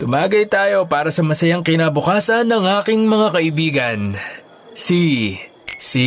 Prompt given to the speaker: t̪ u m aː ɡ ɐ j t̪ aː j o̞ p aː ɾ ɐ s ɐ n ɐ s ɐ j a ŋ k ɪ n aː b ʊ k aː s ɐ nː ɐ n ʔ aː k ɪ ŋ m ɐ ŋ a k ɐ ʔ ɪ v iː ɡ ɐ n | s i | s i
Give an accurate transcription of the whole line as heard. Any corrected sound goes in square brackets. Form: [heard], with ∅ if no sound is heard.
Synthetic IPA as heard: t̪ [ʊ] m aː ɡ ɐ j t̪ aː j o̞ p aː ɾ ɐ s ɐ [m] ɐ s ɐ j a ŋ k ɪ n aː b ʊ k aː s ɐ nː ɐ [ŋ] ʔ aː k ɪ ŋ m ɐ ŋ a k ɐ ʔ ɪ [b] iː ɡ ɐ n | s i | s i